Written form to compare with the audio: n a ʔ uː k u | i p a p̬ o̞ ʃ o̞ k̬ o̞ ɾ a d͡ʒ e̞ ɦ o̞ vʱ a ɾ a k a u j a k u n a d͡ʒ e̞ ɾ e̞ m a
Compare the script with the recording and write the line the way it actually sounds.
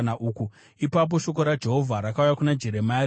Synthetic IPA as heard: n a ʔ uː k u | i p a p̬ o̞ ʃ o̞ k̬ o̞ ɾ a d͡ʒ e̞ ɦ o̞ vʱ a ɾ a k a u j a k u n a d͡ʒ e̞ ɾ e̞ m a